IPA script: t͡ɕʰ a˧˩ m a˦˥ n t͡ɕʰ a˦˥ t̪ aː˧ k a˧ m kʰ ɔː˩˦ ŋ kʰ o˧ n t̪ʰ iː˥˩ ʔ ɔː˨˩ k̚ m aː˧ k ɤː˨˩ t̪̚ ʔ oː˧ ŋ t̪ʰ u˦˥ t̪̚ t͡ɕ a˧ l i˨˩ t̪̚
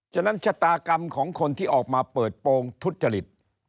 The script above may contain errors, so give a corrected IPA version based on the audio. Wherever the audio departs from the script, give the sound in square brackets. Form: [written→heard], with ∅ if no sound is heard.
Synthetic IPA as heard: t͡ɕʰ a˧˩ [m→n] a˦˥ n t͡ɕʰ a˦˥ t̪ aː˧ k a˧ m kʰ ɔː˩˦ ŋ kʰ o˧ n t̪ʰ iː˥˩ ʔ ɔː˨˩ k̚ m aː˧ [k→p] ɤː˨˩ t̪̚ [ʔ→p] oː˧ ŋ t̪ʰ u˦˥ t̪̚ t͡ɕ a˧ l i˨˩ t̪̚